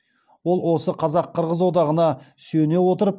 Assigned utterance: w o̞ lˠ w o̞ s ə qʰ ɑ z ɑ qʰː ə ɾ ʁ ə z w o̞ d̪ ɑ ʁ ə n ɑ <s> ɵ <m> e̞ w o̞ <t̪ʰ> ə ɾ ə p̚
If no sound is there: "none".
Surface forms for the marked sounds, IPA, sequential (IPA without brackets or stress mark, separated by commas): s, n, t̪